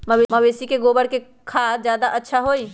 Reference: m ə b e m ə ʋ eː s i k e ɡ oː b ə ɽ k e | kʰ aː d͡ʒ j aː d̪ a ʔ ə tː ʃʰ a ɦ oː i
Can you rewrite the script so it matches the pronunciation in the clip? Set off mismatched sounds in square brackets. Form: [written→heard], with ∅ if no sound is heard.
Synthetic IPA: m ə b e m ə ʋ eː s i k e ɡ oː b ə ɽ k e | kʰ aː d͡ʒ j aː d̪ a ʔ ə tː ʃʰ a ɦ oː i